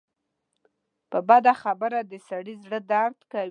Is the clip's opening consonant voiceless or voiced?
voiceless